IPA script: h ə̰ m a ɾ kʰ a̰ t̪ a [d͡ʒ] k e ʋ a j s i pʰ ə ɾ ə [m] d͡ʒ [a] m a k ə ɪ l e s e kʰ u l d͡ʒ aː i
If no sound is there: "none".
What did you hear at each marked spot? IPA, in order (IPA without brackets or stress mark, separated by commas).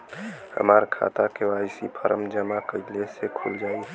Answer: none, m, ə